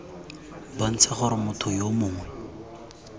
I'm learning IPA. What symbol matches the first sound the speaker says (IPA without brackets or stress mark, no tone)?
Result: b